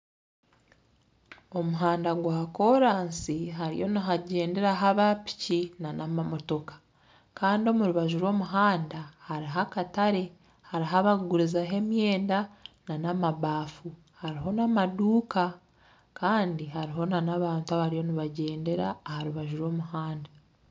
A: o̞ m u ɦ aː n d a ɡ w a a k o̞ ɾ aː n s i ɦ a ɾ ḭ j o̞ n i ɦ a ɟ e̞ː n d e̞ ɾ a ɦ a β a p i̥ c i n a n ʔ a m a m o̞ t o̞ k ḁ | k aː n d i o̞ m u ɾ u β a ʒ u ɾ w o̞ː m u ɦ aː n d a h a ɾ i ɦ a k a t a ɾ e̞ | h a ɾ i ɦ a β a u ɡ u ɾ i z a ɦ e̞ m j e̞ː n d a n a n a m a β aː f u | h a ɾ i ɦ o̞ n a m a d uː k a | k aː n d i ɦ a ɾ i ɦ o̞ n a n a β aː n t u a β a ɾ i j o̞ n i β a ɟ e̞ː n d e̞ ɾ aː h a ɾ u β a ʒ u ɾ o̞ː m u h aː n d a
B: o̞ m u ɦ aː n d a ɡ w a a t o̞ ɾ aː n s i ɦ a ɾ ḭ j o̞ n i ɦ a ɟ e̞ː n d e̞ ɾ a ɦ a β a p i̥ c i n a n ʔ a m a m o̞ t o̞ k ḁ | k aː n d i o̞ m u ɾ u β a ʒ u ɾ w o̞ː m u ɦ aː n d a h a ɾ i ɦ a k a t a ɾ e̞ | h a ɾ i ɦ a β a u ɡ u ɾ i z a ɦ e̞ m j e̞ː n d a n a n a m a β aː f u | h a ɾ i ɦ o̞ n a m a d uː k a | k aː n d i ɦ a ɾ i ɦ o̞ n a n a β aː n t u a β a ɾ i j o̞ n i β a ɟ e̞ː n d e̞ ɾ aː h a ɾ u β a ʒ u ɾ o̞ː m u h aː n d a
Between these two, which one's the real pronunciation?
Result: A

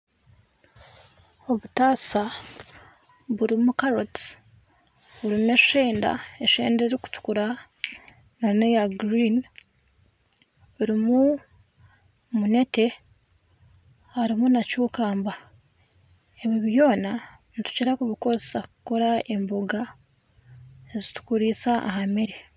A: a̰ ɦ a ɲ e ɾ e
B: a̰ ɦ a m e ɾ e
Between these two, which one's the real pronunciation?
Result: B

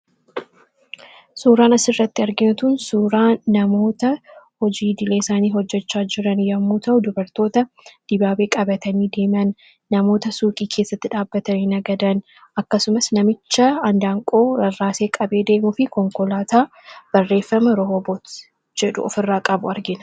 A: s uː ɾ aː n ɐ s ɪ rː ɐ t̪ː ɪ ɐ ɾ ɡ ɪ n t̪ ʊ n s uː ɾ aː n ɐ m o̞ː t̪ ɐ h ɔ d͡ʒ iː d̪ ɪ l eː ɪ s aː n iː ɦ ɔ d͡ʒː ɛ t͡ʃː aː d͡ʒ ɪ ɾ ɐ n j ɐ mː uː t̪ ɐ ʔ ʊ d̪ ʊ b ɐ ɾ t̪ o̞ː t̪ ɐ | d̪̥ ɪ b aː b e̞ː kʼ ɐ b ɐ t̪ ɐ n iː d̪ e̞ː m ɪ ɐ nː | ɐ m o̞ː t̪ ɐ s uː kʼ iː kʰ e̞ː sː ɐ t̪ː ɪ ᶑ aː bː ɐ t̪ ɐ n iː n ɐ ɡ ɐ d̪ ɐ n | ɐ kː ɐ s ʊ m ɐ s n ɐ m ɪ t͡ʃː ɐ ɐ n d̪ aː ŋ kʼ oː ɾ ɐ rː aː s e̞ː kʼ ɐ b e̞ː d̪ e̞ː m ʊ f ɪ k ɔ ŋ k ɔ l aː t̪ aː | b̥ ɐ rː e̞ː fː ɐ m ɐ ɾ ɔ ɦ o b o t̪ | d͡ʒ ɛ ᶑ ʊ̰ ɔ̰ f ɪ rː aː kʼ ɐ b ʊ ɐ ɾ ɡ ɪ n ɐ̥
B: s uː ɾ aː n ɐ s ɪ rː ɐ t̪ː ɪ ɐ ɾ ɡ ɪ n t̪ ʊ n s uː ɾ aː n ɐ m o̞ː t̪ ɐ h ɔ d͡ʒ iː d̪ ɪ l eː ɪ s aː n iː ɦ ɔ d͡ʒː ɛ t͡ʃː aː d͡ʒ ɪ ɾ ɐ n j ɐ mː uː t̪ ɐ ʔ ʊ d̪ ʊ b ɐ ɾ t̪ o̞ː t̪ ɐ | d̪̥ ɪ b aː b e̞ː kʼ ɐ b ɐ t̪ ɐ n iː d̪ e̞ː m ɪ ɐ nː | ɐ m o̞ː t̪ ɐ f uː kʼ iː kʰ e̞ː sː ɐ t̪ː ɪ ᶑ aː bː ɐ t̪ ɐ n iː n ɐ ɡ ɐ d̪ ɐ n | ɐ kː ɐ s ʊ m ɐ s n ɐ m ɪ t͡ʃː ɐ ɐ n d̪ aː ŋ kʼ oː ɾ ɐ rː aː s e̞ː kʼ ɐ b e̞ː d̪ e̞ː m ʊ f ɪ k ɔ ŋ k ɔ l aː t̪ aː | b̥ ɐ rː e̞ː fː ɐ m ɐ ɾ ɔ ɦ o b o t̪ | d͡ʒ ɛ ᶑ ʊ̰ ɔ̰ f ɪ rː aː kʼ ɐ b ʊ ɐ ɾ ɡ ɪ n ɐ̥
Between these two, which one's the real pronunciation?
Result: A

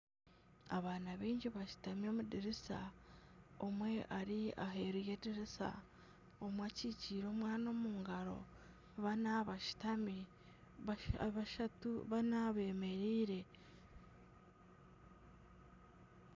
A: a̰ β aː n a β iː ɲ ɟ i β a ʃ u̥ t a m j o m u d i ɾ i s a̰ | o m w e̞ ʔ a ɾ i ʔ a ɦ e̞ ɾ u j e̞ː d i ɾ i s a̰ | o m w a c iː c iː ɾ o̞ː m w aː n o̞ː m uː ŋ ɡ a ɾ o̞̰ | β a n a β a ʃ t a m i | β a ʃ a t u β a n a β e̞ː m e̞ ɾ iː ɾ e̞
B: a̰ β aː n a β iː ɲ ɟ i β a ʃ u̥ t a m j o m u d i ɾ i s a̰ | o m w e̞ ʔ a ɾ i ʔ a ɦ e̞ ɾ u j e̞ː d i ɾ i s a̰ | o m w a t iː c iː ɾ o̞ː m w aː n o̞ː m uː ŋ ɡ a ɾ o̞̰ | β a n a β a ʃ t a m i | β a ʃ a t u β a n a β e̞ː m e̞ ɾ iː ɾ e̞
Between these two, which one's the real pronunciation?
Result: A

